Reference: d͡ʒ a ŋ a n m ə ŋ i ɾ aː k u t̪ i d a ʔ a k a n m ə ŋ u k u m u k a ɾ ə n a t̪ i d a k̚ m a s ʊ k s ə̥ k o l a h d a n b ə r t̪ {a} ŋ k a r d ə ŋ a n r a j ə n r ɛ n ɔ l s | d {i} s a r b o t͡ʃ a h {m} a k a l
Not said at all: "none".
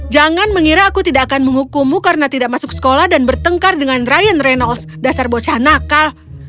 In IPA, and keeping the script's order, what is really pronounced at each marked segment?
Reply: ə, a, n

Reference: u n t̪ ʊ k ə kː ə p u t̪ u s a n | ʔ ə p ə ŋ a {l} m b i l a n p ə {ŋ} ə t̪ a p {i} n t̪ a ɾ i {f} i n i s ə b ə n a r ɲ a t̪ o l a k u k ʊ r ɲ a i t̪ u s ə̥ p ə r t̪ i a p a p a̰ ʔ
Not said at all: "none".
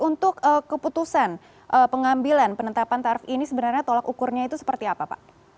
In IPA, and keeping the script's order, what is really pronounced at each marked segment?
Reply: none, n, a, f

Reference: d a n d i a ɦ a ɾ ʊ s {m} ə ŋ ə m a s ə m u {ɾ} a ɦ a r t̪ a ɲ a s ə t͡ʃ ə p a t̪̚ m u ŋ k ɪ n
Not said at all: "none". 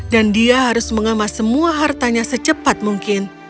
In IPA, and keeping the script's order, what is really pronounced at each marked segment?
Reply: m, none

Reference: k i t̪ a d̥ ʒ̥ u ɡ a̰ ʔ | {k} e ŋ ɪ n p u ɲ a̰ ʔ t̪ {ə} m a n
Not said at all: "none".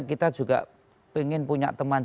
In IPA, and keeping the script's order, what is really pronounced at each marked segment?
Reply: p, ə

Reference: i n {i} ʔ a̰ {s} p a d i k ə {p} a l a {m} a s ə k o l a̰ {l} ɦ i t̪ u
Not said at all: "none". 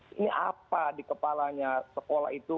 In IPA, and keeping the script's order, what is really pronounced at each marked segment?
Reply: i, none, p, ɲ, none

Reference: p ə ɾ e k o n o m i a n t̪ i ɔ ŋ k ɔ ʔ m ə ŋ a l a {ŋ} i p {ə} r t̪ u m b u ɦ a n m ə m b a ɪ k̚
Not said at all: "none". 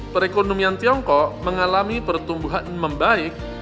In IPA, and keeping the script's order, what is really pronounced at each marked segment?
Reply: m, ə

